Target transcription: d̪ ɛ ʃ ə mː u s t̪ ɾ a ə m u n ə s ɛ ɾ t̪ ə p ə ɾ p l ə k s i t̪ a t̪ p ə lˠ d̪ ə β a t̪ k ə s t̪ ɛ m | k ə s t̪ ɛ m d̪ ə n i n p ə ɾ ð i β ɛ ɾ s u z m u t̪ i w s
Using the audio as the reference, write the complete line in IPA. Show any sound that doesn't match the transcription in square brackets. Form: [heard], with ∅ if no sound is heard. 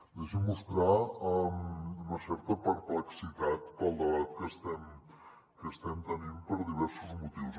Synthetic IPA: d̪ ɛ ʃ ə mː u s t̪ ɾ a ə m u n ə s ɛ ɾ t̪ ə p ə ɾ p l ə k s i t̪ a t̪ p ə lˠ d̪ ə β a t̪ k ə s t̪ ɛ m | k ə s t̪ ɛ m [t̪] ə n i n p ə ɾ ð i β ɛ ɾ s u z m u t̪ i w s